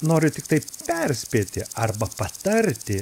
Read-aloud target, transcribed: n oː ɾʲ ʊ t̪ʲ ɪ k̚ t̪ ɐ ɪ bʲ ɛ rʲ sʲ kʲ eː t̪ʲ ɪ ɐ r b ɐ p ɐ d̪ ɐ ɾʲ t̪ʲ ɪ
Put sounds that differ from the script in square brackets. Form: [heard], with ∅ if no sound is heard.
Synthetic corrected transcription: n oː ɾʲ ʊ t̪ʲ ɪ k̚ t̪ ɐ ɪ [pʲ] ɛ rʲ sʲ [pʲ] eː t̪ʲ ɪ ɐ r b ɐ p ɐ [t̪] ɐ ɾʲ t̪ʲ ɪ